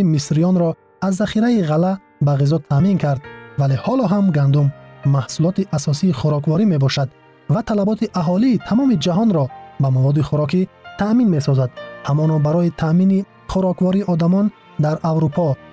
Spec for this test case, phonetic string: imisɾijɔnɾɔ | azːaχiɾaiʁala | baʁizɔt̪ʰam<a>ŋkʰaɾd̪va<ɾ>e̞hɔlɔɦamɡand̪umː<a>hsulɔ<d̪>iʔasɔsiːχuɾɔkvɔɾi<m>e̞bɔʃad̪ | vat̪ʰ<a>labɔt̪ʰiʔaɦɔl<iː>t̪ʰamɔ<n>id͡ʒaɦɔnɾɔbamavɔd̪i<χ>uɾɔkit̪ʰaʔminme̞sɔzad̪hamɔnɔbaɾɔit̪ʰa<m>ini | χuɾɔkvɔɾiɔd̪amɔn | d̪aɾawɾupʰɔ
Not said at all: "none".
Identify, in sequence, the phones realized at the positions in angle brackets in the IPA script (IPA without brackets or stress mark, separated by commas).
i, l, a, t̪, m, a, iː, m, χ, m